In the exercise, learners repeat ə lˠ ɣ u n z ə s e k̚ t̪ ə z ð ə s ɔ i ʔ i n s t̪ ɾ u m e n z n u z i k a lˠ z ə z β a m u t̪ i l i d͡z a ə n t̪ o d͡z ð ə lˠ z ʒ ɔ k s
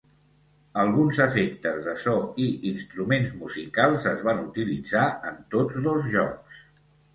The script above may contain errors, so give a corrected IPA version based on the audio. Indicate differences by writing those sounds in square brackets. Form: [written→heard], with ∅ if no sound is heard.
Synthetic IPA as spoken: ə lˠ ɣ u n z ə [s→f] e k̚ t̪ ə z ð ə s ɔ i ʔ i n s t̪ ɾ u m e n z [n→m] u z i k a lˠ z ə z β a [m→n] u t̪ i l i d͡z a ə n t̪ o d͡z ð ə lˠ z ʒ ɔ k s